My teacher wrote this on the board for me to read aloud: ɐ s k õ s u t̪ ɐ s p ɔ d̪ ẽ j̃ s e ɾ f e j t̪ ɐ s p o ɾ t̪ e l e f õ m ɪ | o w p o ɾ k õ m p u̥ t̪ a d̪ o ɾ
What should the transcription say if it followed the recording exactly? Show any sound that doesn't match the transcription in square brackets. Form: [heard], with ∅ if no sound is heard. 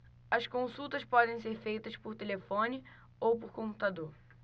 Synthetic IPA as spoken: ɐ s k õ s u t̪ ɐ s p ɔ d̪ ẽ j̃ s e ɾ f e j t̪ ɐ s p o ɾ t̪ e l e f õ [n] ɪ | o w p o ɾ k õ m p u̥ t̪ a d̪ o ɾ